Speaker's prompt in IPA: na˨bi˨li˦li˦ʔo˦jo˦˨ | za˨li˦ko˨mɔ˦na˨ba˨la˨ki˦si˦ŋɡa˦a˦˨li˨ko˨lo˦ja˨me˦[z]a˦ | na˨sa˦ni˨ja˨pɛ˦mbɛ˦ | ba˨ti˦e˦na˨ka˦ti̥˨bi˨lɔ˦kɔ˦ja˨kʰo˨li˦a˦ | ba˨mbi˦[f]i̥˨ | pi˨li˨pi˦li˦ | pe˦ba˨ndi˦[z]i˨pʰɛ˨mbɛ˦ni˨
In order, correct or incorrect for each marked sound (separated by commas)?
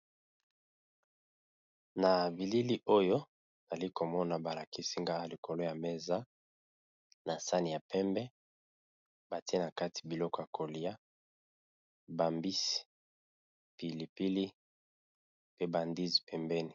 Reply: correct, incorrect, correct